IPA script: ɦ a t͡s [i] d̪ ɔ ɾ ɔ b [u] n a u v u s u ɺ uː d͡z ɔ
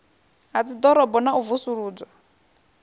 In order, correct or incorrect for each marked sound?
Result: correct, incorrect: ɔ

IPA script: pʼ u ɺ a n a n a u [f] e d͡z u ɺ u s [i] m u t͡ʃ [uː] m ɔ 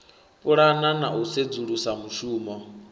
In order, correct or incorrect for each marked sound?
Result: incorrect: s, incorrect: a, correct

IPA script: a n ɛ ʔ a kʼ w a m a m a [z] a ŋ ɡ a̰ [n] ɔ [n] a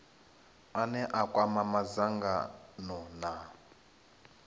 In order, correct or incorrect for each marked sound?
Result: correct, correct, correct

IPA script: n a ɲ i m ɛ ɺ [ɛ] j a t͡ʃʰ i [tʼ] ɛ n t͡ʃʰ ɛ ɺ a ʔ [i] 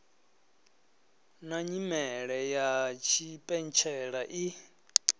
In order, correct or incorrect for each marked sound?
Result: correct, incorrect: pʼ, correct

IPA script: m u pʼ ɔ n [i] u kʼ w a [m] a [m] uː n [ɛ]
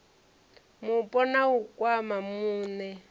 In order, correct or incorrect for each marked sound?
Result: incorrect: a, correct, correct, correct

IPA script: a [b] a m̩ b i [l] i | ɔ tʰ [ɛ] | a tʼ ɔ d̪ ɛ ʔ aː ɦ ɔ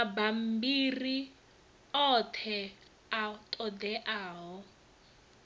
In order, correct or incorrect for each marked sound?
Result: correct, incorrect: r, correct

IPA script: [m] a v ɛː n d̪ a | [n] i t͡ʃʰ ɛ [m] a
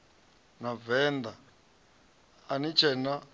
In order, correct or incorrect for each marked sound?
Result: incorrect: n, correct, incorrect: n

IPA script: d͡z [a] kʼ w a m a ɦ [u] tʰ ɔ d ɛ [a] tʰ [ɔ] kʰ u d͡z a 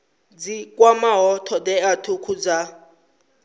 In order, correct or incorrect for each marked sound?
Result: incorrect: i, incorrect: ɔ, correct, incorrect: u

